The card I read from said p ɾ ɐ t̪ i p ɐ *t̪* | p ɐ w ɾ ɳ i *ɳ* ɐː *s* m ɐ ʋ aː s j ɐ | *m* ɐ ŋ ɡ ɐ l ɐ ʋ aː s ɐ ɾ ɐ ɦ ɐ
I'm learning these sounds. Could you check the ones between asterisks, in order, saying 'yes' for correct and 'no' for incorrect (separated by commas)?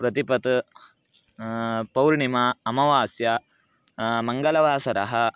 yes, no, no, yes